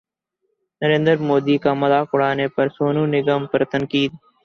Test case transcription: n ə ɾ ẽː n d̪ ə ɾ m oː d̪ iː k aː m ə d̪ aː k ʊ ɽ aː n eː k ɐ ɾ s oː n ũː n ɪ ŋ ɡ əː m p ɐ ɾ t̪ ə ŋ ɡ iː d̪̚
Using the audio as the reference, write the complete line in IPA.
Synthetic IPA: n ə ɾ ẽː n d̪ ə ɾ m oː d̪ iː k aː m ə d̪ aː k ʊ ɽ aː n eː p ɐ ɾ s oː n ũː n ɪ ɡ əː m p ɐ ɾ t̪ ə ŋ k iː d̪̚

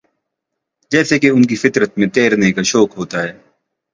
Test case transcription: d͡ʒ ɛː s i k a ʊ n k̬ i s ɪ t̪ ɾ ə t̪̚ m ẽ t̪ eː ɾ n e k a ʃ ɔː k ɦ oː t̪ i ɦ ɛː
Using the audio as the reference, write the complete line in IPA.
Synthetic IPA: d͡ʒ ɛː s e k e ʊ n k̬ i f ɪ t̪ ɾ ə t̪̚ m ẽ t̪ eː ɾ n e k a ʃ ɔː k ɦ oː t̪ a ɦ ɛː

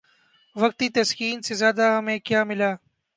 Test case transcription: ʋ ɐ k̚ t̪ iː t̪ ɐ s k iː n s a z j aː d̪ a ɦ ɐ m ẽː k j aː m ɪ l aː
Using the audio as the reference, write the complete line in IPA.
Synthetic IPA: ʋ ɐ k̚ t̪ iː t̪ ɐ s k iː n s e z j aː d̪ a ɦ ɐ m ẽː k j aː m ɪ l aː

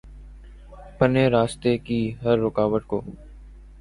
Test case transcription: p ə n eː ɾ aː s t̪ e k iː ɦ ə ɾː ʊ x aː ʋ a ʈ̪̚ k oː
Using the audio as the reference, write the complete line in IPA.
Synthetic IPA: p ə n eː ɾ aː s t̪ e k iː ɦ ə ɾː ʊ k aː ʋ ə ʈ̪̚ k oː

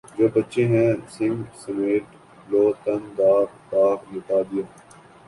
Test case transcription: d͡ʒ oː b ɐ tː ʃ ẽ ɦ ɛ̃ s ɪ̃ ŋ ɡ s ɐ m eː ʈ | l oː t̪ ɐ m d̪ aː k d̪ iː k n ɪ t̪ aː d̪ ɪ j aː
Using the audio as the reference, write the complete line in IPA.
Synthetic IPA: d͡ʒ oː b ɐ tː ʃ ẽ ɦ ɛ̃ s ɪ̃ ŋ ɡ s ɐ m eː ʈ | l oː t̪ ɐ n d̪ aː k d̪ aː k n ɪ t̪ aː d̪ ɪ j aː

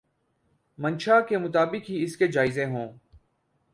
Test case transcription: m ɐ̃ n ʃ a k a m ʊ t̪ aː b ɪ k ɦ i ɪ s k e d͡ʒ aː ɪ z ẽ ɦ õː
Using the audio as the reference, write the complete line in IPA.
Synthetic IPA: m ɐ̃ n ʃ a k e m ʊ t̪ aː b ɪ k ɦ i ɪ s k e d͡ʒ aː ɪ z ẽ ɦ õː

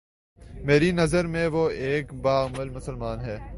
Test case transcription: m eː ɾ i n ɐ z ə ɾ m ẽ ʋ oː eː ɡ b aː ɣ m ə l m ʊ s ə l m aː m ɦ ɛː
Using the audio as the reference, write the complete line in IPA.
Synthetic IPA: m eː ɾ i n ɐ z ə ɾ m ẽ ʋ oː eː k b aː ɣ m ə l m ʊ s ə l m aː n ɦ ɛː

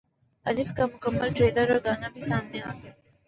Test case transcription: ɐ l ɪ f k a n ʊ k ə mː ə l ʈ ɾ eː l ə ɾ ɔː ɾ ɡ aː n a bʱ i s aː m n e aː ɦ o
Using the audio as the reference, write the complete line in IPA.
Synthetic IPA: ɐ l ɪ f k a m ʊ k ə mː ə l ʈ ɾ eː l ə ɾ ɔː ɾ ɡ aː n a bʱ i s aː m n e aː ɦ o

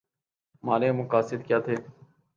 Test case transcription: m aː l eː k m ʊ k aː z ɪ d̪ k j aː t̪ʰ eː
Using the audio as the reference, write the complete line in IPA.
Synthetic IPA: m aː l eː m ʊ k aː s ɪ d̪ k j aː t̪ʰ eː

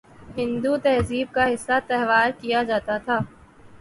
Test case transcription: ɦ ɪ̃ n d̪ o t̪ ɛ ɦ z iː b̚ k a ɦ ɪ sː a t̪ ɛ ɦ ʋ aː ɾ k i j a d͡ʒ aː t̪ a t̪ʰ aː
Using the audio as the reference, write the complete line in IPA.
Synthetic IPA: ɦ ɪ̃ n d̪ u t̪ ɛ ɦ z iː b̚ k a ɦ ɪ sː a t̪ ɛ ɦ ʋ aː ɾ k i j a d͡ʒ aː t̪ a t̪ʰ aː

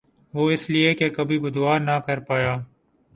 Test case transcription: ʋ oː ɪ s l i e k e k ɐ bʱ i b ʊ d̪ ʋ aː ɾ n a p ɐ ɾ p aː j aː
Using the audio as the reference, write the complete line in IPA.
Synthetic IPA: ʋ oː ɪ s l i e k e k ɐ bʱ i b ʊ d̪ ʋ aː ɾ n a k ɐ ɾ p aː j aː

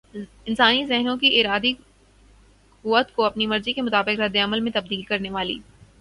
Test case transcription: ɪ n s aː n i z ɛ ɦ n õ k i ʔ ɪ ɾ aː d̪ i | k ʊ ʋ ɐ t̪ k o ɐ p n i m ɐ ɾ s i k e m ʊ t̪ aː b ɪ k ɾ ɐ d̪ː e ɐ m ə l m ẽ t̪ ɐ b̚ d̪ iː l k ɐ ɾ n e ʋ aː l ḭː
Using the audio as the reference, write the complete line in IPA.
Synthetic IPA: ɪ n s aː n i z ɛ ɦ n õ k i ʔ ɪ ɾ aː d̪ i | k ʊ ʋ ə t̪ k o ɐ p n i m ɐ ɾ z i k e m ʊ t̪ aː b ɪ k ɾ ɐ d̪ː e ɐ m ə l m ẽ t̪ ɐ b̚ d̪ iː l k ɐ ɾ n e ʋ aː l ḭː

